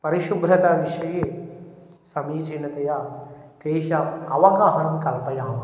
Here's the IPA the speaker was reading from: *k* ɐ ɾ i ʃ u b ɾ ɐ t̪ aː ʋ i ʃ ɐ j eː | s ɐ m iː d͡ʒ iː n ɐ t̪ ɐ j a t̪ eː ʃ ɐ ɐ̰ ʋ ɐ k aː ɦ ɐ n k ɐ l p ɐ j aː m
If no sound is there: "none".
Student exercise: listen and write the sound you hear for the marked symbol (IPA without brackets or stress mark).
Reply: p